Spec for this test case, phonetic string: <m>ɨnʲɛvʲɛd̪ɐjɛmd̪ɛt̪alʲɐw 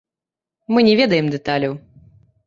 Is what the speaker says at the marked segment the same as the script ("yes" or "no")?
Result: yes